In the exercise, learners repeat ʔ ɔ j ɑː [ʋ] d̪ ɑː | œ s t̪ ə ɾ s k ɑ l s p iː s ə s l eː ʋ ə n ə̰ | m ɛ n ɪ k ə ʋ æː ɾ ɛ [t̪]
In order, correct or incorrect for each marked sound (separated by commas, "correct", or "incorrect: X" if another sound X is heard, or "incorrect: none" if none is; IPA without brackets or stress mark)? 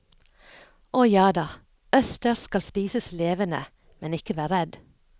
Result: incorrect: none, incorrect: d̪